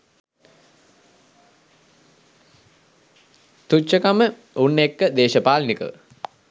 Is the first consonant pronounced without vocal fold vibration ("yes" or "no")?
yes